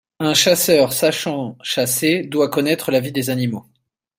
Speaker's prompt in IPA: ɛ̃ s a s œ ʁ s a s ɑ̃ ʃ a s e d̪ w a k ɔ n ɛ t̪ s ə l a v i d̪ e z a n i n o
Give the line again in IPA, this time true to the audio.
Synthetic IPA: ɛ̃ ʃ a s œ ʁ s a ʃ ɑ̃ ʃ a s e d̪ w a k ɔ n ɛ t̪ χ ə l a v i d̪ e z a n i m o